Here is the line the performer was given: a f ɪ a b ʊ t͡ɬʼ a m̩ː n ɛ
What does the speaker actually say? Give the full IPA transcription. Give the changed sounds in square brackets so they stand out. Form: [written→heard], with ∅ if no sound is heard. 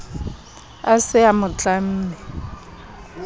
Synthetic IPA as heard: a [f→s] ɪ a [b→m] ʊ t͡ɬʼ a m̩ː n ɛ